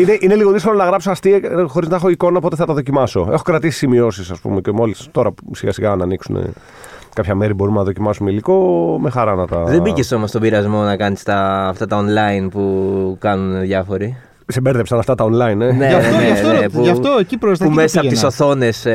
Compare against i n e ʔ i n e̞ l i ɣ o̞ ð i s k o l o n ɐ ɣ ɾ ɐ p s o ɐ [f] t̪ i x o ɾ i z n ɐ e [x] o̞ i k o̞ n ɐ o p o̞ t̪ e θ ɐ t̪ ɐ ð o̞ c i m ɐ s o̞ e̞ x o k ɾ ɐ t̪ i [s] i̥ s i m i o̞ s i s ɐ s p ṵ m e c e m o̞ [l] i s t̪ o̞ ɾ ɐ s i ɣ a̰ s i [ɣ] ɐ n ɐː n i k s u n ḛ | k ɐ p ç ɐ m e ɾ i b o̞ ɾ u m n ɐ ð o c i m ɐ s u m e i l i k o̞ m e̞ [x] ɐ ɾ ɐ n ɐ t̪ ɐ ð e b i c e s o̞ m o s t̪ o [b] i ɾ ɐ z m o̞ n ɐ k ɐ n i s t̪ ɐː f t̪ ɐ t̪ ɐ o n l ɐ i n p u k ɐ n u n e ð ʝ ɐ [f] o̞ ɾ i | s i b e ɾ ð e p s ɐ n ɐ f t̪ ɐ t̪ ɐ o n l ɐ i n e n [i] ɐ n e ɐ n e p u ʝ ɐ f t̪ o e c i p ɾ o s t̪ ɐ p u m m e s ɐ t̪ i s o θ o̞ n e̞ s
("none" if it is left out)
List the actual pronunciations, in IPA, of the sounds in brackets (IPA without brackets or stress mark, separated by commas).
s, x, s, l, ɣ, x, b, f, e